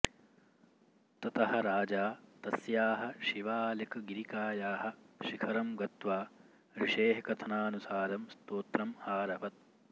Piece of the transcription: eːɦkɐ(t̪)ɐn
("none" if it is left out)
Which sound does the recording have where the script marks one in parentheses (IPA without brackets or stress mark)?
t̪ʰ